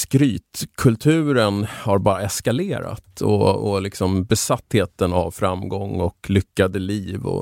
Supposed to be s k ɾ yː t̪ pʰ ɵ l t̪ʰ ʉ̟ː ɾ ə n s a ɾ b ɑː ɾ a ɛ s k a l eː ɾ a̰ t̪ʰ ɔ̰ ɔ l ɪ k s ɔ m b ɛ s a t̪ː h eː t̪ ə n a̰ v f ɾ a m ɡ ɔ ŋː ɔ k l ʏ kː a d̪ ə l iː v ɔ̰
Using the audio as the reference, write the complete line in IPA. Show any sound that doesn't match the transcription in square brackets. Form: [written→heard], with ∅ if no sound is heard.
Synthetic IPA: s k ɾ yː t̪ [pʰ→kʰ] ɵ l t̪ʰ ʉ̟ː ɾ ə n [s→h] a ɾ b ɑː ɾ a ɛ s k a l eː ɾ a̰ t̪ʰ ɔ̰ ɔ l ɪ k s ɔ m b ɛ s a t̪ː h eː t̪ ə n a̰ v f ɾ a m ɡ ɔ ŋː ɔ k l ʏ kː a d̪ ə l iː v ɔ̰